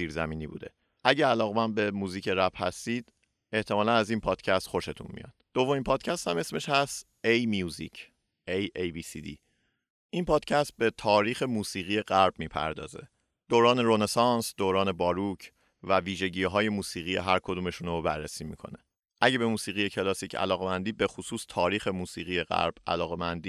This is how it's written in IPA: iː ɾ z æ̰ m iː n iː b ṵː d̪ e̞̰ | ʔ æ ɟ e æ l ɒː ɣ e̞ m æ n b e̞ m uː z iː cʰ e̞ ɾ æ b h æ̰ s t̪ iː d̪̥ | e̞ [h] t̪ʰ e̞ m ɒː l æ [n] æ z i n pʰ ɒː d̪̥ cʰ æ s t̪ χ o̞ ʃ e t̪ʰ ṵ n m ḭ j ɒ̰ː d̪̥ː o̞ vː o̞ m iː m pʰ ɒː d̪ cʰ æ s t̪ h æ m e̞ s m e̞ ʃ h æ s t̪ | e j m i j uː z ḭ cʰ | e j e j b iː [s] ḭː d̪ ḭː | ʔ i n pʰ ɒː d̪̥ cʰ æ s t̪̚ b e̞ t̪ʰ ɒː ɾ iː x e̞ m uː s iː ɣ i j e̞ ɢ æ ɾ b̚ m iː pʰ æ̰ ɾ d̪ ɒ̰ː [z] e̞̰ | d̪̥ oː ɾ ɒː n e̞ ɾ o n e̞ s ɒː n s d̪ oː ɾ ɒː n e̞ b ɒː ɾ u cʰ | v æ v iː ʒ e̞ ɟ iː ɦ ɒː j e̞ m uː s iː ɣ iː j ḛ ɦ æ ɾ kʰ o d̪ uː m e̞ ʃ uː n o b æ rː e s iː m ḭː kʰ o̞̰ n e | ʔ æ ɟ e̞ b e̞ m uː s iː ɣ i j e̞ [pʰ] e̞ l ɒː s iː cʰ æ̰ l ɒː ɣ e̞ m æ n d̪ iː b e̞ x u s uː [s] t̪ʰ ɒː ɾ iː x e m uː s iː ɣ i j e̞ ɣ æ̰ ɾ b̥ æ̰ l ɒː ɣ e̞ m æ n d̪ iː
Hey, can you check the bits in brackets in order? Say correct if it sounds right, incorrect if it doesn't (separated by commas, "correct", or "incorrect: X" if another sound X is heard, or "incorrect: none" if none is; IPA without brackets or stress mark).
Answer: correct, correct, correct, correct, incorrect: cʰ, correct